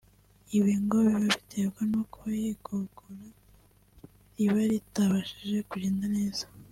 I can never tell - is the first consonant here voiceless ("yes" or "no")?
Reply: no